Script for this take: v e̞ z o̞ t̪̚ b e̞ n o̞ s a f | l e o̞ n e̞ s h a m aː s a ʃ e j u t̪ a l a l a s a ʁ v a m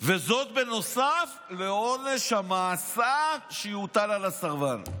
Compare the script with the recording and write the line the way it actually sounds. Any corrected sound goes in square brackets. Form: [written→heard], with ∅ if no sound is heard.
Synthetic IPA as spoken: v e̞ z o̞ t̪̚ b e̞ n o̞ s a f | l e o̞ n e̞ [s→ʃ] h a m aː s a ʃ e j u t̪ a l a l a s a ʁ v a [m→n]